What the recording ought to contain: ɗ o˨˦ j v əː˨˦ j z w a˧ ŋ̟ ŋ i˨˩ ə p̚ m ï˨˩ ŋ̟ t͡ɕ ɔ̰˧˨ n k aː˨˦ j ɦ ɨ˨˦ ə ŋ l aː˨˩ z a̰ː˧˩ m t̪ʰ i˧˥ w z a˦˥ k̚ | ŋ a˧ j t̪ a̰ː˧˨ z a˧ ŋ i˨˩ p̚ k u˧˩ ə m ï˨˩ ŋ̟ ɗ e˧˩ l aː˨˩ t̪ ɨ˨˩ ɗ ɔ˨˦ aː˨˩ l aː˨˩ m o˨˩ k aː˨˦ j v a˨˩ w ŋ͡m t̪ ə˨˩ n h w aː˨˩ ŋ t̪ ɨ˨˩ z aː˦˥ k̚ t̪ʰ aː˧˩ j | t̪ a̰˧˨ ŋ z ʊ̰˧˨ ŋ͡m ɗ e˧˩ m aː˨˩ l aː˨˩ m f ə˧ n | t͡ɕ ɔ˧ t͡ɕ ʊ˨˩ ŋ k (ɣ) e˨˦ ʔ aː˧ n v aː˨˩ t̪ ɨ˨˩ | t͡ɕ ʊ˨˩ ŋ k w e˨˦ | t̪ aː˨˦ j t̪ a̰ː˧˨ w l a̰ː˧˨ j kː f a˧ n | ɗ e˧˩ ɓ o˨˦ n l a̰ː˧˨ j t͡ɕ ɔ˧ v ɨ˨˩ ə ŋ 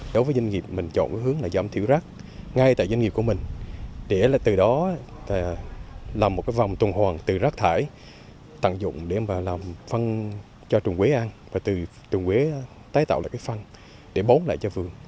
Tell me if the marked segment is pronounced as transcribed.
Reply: no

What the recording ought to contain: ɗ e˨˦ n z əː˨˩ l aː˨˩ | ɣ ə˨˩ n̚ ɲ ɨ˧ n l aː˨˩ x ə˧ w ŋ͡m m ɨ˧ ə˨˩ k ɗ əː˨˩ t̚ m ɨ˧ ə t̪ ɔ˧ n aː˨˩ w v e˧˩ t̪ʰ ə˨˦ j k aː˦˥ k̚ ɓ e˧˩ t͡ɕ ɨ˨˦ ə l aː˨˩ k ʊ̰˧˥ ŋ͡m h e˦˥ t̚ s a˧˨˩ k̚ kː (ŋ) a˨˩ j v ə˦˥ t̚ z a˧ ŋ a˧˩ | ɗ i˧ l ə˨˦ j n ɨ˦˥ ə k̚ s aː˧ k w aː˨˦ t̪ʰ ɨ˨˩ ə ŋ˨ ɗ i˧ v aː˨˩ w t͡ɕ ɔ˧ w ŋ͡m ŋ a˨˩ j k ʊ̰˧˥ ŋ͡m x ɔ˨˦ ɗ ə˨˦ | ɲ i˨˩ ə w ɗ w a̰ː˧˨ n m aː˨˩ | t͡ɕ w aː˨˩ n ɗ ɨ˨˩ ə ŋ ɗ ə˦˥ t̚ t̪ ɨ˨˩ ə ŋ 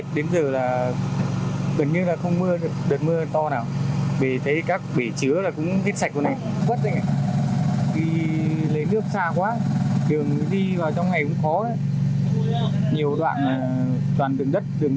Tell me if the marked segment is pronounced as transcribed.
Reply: no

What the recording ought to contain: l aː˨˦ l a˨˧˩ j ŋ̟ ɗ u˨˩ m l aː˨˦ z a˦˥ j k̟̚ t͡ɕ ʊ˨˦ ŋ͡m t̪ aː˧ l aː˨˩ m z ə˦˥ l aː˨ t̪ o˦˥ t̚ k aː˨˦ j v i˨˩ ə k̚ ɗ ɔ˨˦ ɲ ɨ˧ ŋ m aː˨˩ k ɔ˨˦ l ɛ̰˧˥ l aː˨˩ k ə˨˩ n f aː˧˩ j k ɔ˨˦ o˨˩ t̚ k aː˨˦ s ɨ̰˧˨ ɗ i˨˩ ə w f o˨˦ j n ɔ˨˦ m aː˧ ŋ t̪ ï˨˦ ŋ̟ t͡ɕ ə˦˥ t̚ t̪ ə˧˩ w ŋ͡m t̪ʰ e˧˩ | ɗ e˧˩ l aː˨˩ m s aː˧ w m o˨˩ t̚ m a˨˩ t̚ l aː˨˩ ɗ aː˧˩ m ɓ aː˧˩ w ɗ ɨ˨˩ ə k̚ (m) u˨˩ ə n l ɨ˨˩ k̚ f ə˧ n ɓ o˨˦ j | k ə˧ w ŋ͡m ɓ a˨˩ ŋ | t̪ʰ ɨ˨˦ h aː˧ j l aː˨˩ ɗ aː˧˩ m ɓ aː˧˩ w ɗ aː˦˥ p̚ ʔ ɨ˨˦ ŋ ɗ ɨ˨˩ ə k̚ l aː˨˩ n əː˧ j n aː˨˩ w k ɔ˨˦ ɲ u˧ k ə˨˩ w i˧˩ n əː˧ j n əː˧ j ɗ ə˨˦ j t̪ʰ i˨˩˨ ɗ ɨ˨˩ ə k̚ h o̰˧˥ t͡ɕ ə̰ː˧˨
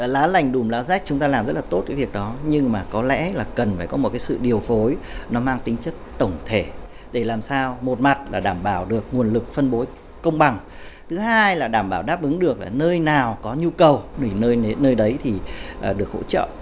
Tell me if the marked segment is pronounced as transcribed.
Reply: no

